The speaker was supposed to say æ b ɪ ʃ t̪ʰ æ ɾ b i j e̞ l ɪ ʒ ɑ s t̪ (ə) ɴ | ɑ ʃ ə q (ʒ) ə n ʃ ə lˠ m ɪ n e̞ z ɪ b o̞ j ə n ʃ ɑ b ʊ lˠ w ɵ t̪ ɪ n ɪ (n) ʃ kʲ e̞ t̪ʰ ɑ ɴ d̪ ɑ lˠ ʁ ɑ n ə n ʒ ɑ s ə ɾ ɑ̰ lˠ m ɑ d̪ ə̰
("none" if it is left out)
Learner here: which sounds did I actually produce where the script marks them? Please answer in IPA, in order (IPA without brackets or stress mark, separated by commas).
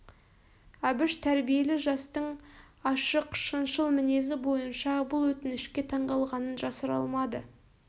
ə, ʃ, none